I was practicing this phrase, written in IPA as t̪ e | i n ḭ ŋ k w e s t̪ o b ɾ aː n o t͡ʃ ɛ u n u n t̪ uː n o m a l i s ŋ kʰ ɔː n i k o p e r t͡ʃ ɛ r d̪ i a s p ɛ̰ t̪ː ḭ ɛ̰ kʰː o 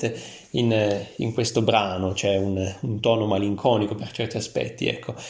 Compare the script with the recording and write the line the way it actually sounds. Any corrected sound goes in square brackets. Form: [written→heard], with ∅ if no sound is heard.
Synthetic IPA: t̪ e | i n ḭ ŋ k w e s t̪ o b ɾ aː n o t͡ʃ ɛ u n u n t̪ [uː→ɔː] n o m a l i [s→∅] ŋ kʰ ɔː n i k o p e r t͡ʃ ɛ r [d̪→t̪] i a s p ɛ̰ t̪ː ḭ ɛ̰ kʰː o